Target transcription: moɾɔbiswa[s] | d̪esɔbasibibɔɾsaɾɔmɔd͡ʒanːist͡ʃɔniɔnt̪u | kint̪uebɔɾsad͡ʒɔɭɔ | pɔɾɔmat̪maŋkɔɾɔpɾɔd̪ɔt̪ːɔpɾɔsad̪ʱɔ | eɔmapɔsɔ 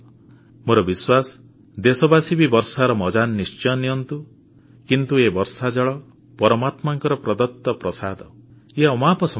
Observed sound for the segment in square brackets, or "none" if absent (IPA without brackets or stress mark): s